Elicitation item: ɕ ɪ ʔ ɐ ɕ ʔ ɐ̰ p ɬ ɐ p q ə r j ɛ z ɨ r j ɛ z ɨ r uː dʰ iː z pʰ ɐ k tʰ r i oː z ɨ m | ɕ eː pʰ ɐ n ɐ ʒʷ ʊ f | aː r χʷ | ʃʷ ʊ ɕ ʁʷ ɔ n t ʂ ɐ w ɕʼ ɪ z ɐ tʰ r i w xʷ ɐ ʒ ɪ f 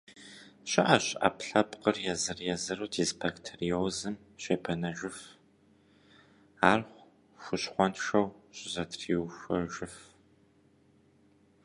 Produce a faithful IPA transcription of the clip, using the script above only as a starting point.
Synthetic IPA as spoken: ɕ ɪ ʔ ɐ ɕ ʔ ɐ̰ p ɬ ɐ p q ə r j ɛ z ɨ r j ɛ z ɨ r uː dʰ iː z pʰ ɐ k tʰ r i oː z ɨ m | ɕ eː pʰ ɐ n ɐ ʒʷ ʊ f | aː r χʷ | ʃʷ ʊ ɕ χʷ ɔ n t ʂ ɐ w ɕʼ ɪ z ɐ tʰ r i w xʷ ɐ ʒ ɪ f